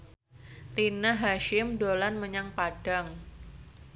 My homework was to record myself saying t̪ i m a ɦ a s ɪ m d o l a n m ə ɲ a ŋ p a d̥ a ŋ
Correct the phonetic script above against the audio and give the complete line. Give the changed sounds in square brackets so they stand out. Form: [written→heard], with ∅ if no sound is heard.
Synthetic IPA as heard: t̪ i [m→n] a ɦ a [s→ʃ] ɪ m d o l a n m ə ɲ a ŋ p a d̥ a ŋ